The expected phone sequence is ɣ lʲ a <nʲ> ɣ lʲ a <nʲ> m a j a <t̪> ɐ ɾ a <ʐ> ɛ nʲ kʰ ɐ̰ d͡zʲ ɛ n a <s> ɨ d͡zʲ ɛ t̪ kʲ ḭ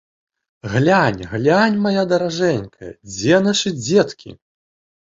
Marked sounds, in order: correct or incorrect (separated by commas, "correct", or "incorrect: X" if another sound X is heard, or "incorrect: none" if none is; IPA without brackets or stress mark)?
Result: correct, correct, incorrect: d̪, correct, incorrect: ʂ